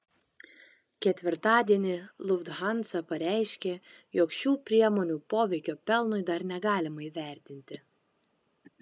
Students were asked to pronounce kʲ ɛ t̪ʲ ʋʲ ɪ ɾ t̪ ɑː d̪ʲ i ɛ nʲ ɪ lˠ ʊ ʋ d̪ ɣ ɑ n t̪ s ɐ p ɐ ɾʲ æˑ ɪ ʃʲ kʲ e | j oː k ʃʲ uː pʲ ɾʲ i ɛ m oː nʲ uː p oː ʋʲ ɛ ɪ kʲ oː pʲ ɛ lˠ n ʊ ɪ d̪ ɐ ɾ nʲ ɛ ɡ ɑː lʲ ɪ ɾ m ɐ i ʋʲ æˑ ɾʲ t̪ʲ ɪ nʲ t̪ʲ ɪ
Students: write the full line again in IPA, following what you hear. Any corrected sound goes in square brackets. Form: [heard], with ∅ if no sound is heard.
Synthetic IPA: kʲ ɛ t̪ʲ ʋʲ ɪ ɾ t̪ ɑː d̪ʲ i ɛ nʲ ɪ lˠ ʊ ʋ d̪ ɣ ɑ n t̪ s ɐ p ɐ ɾʲ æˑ ɪ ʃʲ kʲ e | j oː k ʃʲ uː pʲ ɾʲ i ɛ m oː nʲ uː p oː ʋʲ ɛ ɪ kʲ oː pʲ ɛ lˠ n ʊ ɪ d̪ ɐ ɾ nʲ ɛ ɡ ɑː lʲ ɪ [∅] m ɐ i ʋʲ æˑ ɾʲ t̪ʲ ɪ nʲ t̪ʲ ɪ